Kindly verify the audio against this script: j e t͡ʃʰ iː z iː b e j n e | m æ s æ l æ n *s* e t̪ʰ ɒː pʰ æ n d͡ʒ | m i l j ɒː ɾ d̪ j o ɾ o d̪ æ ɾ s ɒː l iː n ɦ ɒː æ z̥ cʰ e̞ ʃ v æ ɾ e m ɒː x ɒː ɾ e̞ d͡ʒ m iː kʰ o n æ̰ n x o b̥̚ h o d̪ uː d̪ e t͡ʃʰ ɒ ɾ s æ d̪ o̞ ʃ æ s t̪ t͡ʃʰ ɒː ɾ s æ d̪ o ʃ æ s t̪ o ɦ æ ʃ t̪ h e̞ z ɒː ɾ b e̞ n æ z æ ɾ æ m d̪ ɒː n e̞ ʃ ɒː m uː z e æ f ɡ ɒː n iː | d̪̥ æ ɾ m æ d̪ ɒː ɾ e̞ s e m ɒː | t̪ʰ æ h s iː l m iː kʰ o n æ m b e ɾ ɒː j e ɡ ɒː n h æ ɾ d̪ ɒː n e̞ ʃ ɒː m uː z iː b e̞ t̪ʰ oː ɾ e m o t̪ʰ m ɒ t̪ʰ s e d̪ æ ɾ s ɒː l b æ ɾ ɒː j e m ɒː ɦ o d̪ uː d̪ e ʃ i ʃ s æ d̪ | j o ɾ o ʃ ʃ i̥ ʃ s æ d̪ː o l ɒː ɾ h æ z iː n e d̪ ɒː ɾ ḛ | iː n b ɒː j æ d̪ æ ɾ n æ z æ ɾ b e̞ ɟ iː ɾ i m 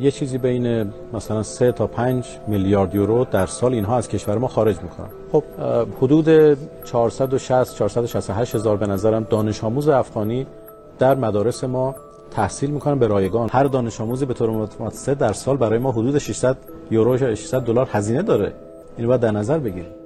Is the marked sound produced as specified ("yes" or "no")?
yes